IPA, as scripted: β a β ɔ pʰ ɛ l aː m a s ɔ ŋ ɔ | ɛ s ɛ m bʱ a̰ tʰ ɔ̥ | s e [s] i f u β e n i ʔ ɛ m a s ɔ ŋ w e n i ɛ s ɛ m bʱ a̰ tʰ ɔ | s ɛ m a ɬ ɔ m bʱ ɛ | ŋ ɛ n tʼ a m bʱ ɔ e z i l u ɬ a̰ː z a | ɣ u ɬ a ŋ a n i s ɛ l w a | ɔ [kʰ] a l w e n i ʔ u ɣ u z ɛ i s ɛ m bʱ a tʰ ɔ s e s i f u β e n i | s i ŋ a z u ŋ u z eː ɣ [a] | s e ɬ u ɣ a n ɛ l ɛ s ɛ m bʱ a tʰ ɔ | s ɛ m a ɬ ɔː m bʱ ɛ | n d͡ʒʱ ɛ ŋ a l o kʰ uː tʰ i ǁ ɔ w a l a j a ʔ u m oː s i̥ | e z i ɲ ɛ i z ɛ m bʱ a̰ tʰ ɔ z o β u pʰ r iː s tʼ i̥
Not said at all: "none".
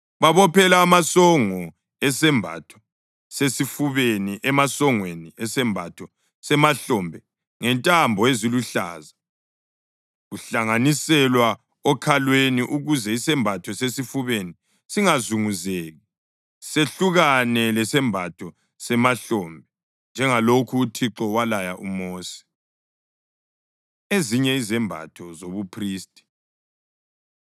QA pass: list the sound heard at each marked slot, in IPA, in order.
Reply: s, kʰ, i

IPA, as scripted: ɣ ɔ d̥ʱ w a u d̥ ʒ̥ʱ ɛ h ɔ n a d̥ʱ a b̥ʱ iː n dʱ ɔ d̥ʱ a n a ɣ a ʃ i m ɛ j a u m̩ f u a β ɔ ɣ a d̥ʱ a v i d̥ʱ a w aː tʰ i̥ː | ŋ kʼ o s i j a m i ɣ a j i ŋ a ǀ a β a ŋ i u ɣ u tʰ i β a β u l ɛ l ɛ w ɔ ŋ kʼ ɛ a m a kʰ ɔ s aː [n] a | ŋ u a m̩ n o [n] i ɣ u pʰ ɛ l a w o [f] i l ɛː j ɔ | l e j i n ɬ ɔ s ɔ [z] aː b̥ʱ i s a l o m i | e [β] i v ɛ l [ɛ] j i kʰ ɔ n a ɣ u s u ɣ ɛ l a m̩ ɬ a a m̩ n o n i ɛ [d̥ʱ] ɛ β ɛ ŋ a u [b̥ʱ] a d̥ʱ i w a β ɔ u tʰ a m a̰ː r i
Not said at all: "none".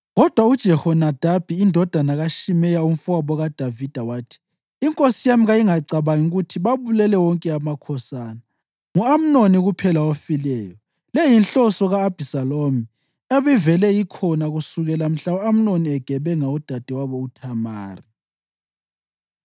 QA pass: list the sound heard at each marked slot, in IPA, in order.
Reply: n, n, f, ɣ, β, ɛ, ɡ̥ʱ, d̥ʱ

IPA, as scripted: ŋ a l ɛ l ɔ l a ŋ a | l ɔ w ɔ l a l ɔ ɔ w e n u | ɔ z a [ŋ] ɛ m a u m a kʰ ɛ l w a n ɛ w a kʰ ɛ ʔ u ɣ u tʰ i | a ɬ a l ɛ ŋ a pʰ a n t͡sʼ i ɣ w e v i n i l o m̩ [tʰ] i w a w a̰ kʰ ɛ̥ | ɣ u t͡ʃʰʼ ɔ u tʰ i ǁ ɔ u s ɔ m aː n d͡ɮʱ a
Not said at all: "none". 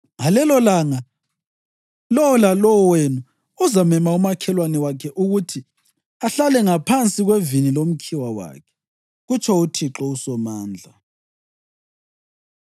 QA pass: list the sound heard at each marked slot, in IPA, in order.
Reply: m, kʰ

